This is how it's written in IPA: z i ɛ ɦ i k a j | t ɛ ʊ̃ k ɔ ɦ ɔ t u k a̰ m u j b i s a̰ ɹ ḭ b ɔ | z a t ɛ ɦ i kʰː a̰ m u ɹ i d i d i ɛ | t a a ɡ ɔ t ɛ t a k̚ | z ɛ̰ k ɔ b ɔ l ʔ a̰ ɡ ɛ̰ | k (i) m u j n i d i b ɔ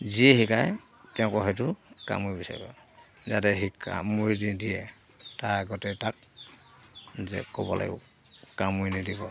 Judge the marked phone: incorrect: a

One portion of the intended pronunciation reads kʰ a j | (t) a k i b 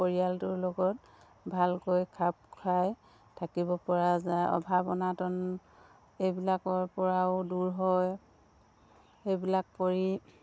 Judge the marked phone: incorrect: tʰ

